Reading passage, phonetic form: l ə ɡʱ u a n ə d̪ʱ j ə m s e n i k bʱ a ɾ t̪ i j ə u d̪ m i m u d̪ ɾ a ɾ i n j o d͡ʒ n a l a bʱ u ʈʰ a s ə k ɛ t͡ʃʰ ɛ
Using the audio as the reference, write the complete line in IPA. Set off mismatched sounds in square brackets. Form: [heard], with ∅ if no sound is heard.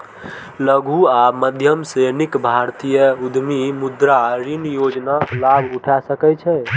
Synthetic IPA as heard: l ə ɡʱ u a [m] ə d̪ʱ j ə m s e n i k bʱ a ɾ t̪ i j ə u d̪ m i m u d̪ ɾ a ɾ i n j o d͡ʒ n a l a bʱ u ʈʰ a s ə k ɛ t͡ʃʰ ɛ